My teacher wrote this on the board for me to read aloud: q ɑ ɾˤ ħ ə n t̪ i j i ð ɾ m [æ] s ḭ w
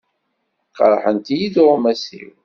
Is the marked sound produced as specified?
yes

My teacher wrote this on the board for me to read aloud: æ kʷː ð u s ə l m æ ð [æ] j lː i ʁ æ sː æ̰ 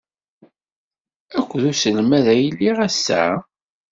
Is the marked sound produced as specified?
yes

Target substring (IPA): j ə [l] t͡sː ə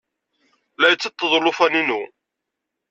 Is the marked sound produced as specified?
no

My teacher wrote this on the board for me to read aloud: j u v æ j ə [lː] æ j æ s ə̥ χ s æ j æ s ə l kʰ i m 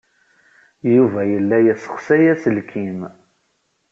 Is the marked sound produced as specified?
yes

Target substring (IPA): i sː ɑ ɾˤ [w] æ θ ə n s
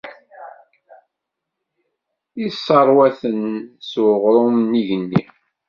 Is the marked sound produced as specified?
yes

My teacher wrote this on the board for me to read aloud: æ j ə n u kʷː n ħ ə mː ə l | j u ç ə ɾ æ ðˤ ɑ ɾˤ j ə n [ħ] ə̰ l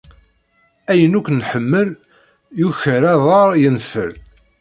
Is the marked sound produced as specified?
no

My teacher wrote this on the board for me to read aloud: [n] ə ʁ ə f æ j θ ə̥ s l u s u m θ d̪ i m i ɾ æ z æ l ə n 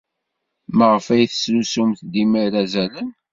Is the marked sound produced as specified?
no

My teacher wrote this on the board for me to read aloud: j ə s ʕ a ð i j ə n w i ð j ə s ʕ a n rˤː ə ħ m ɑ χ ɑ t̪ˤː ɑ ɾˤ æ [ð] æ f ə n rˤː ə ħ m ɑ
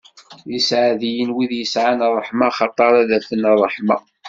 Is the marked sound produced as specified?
yes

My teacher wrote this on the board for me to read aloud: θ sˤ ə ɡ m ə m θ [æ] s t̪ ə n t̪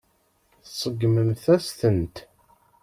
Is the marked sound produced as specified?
yes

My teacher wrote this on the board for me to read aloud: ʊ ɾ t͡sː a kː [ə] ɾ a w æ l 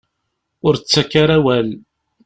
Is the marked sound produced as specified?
no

